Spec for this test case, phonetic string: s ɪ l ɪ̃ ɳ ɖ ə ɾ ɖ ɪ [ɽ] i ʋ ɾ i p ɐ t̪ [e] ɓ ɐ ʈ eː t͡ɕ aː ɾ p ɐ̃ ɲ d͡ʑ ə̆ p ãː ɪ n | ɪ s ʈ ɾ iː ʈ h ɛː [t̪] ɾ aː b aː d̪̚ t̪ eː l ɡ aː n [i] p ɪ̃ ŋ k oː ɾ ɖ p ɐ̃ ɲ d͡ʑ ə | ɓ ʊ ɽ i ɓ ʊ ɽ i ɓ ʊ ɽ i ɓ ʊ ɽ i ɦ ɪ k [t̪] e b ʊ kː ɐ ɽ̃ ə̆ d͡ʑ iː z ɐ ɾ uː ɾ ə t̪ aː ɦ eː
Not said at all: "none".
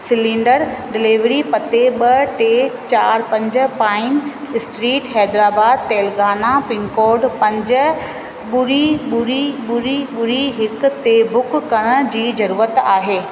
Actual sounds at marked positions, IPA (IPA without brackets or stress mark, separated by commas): l, e, d̪, a, t̪